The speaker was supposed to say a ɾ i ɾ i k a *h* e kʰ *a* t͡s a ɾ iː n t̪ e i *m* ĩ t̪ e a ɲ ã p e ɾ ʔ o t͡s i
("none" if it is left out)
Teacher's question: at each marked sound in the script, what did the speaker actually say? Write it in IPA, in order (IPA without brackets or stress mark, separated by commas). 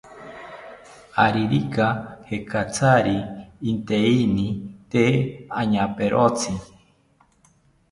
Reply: h, a, n